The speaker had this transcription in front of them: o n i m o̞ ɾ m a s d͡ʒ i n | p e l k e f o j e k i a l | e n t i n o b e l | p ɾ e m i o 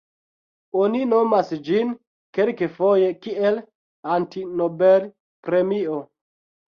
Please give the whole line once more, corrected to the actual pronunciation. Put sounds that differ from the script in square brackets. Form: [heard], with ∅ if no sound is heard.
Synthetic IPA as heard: o n i [n] o̞ [∅] m a s d͡ʒ i n | [k] e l k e f o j e k i [e] l | [a] n t i n o b e l | p ɾ e m i o